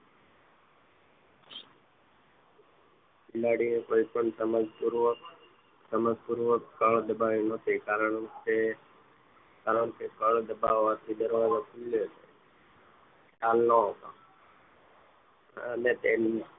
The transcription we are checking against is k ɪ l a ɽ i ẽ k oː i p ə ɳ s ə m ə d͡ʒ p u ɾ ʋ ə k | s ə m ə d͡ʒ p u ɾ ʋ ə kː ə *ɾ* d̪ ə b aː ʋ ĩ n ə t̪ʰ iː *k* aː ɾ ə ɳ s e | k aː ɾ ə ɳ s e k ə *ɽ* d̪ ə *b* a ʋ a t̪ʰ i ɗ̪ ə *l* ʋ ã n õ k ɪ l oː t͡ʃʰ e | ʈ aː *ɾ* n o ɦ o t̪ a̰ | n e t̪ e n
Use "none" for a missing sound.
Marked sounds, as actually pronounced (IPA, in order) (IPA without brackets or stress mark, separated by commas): ɭ, k, ɭ, b, ɾ, l